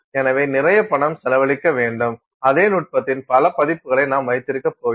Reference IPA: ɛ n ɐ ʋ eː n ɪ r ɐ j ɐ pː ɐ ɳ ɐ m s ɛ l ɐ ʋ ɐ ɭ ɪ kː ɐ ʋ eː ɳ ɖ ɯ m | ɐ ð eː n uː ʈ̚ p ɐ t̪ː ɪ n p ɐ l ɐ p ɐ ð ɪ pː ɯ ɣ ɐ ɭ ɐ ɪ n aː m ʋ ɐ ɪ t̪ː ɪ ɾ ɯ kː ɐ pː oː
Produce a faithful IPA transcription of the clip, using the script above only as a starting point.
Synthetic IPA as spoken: ɛ n ɐ ʋ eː n ɪ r ɐ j ɐ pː ɐ ɳ ɐ m s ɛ l ɐ ʋ ɐ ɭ ɪ kː ɐ ʋ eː ɳ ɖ ɯ m | ɐ ð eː n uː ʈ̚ p ɐ t̪ː ɪ n p ɐ l ɐ p ɐ ð ɪ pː ɯ ɣ ɐ ɭ ɐ ɪ n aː m ʋ ɐ ɪ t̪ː ɪ ɾ ɯ kː ɐ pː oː